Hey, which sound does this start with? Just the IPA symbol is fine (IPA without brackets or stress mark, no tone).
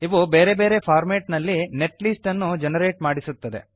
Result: i